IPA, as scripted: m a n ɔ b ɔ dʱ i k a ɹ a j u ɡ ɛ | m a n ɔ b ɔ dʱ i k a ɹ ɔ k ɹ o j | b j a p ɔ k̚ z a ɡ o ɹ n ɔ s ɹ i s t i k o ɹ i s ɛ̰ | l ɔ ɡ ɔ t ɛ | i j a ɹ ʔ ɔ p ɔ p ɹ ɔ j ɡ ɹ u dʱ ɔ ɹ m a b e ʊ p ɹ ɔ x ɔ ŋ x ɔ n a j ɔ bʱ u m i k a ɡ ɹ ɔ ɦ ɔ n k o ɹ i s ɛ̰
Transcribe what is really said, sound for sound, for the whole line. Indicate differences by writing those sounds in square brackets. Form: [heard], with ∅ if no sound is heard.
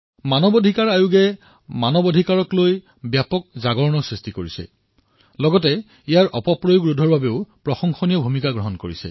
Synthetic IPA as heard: m a n ɔ b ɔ dʱ i k a ɹ a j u ɡ ɛ | m a n ɔ b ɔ dʱ i k a ɹ ɔ k [l] o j | b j a p ɔ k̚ z a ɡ [ɔ] ɹ n ɔ s ɹ i s t i k o ɹ i s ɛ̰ | l ɔ ɡ ɔ t ɛ | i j a ɹ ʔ ɔ p ɔ p ɹ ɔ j ɡ ɹ u dʱ ɔ ɹ [b] a b e ʊ p ɹ ɔ x ɔ ŋ x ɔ n [i] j ɔ bʱ u m i k a ɡ ɹ ɔ ɦ ɔ n k o ɹ i s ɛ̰